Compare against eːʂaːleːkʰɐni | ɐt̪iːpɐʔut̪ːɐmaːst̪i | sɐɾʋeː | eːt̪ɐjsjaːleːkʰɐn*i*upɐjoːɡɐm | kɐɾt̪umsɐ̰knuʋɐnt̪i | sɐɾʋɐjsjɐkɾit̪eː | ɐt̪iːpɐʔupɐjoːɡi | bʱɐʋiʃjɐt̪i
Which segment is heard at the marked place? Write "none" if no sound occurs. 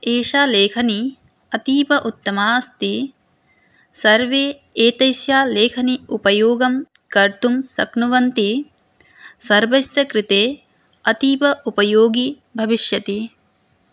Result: i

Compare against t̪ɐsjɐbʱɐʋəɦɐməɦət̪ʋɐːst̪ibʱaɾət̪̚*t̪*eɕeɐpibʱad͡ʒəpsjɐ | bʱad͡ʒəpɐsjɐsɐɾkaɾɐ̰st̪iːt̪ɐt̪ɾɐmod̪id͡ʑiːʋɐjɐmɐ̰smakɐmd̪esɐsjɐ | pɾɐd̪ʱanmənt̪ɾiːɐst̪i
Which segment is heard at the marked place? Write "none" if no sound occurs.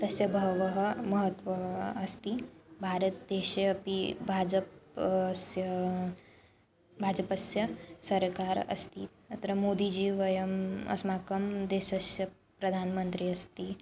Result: d̪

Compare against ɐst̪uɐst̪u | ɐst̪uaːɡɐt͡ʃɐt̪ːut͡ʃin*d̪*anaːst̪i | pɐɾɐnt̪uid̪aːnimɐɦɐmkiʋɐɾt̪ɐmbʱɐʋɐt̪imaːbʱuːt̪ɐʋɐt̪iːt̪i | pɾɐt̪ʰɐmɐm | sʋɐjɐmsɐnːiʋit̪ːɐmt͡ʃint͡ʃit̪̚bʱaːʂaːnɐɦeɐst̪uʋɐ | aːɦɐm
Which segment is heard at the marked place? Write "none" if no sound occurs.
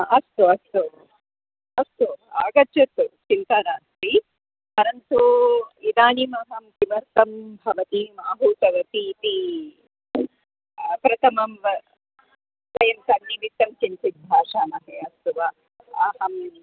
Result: t̪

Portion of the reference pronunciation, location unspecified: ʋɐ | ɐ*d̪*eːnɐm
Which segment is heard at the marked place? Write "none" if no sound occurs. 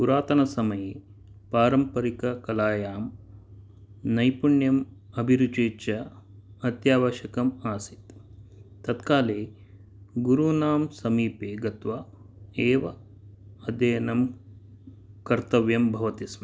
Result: d̪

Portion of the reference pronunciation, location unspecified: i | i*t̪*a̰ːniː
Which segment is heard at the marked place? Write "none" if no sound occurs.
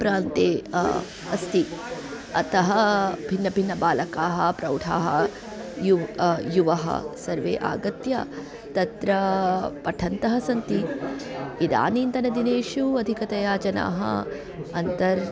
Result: d̪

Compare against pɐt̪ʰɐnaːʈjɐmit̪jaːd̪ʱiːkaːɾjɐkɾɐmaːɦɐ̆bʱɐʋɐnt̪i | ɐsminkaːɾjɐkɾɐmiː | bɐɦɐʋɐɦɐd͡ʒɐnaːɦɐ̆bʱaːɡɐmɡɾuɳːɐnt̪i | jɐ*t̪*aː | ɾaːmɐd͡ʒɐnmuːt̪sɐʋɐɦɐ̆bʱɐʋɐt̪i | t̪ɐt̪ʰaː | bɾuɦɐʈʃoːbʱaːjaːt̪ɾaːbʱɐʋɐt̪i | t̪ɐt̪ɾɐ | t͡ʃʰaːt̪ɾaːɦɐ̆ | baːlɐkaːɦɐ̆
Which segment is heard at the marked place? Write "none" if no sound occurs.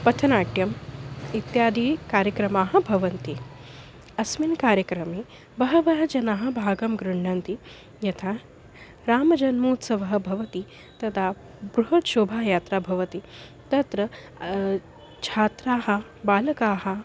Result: t̪ʰ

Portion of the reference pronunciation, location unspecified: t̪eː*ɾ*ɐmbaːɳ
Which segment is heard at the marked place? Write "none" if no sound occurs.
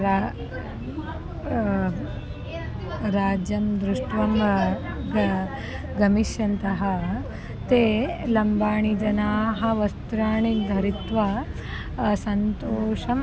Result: l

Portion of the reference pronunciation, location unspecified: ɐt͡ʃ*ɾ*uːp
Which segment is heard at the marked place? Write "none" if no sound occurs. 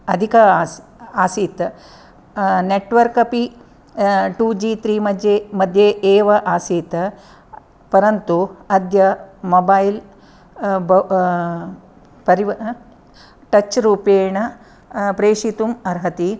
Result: ɾ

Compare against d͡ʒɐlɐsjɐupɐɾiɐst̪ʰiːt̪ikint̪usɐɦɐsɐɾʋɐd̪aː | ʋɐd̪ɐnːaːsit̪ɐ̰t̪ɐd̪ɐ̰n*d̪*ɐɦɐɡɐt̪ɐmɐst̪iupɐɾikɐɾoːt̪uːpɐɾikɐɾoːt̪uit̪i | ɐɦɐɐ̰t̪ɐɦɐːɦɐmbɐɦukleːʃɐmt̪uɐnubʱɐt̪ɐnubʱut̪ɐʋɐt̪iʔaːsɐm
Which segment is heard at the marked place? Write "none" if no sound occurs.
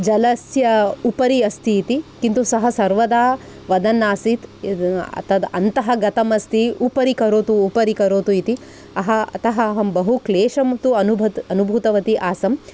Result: t̪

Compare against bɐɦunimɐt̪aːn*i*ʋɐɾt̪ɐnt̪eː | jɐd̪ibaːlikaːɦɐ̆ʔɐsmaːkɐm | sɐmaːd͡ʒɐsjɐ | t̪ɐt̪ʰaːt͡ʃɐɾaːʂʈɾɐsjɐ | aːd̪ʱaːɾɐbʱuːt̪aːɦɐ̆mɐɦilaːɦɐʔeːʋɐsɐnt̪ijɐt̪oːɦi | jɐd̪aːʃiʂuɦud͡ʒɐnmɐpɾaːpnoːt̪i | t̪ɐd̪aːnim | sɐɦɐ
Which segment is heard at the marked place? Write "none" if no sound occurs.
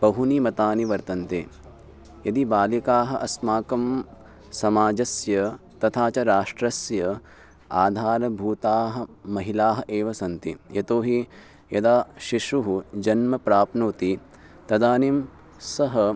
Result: i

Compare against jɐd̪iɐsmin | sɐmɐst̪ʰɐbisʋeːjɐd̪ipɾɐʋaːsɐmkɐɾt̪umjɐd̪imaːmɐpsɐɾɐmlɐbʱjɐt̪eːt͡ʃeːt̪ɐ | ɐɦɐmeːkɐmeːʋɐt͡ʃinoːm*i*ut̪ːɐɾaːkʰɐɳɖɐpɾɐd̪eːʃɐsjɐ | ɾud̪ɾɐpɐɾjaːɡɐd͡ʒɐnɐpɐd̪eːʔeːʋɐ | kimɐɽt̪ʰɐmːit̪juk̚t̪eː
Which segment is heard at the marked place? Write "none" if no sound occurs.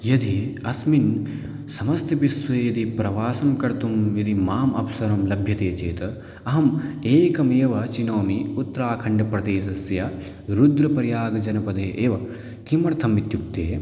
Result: i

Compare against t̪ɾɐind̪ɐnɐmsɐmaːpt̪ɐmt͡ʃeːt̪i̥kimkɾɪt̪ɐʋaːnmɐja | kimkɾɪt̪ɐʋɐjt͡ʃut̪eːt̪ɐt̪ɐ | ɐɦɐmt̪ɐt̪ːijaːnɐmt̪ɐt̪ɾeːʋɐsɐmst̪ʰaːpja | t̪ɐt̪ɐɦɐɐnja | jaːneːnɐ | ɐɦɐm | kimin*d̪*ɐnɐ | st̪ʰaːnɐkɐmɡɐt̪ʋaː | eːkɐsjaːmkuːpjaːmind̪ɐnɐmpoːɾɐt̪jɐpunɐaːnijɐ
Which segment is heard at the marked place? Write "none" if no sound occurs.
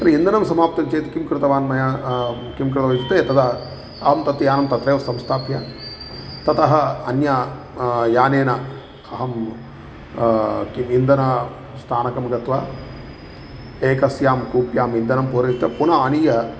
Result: d̪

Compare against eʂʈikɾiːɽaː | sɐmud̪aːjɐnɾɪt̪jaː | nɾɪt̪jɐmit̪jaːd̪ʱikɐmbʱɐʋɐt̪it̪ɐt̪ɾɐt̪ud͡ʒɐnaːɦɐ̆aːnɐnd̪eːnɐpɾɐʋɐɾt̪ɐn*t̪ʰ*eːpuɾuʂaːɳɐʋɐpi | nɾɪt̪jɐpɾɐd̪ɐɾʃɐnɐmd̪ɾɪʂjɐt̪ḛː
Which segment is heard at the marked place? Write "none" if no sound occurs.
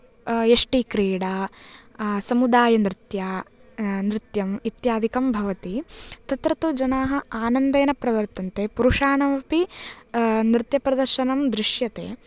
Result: t̪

